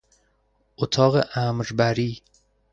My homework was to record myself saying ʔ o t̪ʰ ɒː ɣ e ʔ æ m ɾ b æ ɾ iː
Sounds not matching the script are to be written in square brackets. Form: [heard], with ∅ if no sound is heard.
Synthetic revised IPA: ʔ o t̪ʰ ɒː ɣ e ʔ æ m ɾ b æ ɾ iː